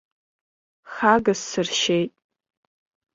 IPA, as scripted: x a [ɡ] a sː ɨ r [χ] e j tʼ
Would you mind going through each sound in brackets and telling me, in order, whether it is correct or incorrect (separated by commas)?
correct, incorrect